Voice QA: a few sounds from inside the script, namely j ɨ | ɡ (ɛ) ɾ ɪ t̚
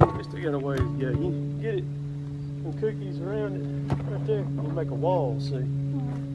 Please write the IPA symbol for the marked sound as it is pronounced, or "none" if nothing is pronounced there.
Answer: ɛ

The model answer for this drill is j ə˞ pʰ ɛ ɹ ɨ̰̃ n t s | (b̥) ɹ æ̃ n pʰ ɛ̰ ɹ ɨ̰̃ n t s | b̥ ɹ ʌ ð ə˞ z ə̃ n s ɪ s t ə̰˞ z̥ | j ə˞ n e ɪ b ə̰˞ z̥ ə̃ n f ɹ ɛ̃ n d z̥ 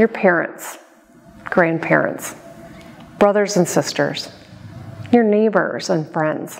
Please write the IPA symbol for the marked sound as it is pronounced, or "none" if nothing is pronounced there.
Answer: ɡ̥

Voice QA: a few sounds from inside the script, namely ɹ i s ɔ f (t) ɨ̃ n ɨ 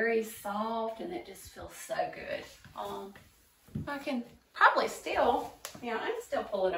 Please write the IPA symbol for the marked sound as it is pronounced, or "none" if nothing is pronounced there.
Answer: t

